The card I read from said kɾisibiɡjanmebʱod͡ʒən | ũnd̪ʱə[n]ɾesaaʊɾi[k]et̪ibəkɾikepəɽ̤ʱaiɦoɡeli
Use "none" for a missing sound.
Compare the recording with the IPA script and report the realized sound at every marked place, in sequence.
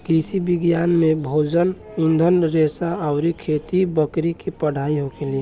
n, kʰ

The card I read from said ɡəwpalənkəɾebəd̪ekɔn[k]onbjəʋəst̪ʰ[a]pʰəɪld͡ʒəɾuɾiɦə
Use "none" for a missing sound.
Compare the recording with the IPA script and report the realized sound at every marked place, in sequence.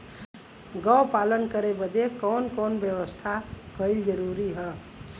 k, a

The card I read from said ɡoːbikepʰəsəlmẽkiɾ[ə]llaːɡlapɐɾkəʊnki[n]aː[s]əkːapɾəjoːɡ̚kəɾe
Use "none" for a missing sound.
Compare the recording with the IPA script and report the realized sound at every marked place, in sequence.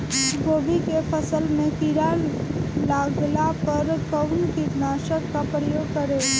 a, n, ʃ

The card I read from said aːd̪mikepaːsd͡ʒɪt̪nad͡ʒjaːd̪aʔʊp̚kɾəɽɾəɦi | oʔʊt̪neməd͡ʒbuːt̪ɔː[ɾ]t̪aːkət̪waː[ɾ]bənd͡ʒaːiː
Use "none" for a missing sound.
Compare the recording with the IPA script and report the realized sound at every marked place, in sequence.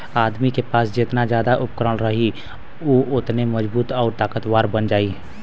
ɾ, ɾ

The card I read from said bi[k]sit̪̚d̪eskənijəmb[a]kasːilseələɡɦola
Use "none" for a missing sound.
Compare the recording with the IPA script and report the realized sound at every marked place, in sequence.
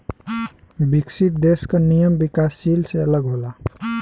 k, i

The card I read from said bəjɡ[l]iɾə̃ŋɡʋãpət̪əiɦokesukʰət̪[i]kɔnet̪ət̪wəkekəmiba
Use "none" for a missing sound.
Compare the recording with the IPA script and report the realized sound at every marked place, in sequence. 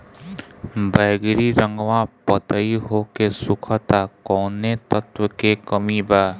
ɾ, a

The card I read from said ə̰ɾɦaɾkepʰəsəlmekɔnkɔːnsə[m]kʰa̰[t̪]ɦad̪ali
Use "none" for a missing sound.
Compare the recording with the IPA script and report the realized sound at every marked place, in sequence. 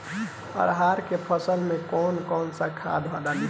none, d̪

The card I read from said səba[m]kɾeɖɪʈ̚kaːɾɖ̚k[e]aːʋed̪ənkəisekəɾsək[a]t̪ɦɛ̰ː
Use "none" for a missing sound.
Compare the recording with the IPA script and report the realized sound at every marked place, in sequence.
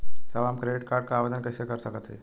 m, a, ə

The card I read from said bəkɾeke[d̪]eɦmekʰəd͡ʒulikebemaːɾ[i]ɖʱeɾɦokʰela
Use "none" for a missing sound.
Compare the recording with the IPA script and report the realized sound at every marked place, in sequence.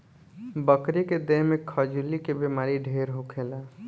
d̪, i

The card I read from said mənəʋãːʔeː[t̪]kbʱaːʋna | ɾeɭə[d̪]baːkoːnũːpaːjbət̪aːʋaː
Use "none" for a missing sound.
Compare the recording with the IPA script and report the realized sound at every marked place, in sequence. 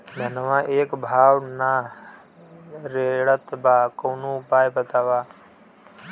none, t̪

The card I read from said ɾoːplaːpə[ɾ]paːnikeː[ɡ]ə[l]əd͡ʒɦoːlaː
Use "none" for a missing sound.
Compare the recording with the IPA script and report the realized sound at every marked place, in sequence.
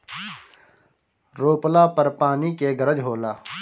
ɾ, ɡ, ɾ

